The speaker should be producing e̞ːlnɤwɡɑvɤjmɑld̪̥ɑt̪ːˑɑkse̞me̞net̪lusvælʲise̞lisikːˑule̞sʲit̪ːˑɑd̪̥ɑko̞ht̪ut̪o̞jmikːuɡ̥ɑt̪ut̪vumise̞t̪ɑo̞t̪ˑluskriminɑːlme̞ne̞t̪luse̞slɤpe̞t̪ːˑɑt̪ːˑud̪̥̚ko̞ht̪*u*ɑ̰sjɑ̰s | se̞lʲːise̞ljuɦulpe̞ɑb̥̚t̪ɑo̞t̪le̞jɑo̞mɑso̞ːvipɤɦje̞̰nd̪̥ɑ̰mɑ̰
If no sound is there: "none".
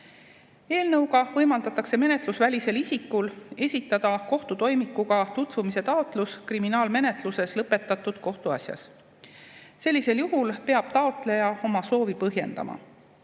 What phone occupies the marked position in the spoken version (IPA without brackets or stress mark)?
u